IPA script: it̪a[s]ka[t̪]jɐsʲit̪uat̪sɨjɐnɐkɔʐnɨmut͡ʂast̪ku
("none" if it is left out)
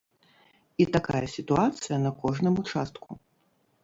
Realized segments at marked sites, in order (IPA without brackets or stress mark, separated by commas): none, none